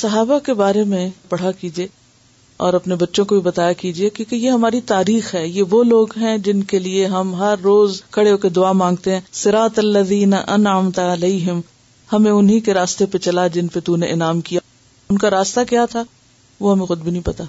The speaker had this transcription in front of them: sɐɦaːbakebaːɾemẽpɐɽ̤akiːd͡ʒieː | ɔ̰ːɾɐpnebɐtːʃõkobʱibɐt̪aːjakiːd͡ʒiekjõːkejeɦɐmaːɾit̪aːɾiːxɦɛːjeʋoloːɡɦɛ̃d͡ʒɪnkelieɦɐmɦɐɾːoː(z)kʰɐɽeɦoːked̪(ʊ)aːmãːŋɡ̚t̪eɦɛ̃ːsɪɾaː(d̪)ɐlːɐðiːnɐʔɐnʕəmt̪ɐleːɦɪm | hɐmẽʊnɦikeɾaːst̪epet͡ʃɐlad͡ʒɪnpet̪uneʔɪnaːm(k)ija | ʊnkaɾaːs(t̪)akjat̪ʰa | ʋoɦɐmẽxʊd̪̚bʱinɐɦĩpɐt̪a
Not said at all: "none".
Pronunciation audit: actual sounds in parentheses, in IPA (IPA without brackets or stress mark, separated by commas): z, ʊ, t̪, k, t̪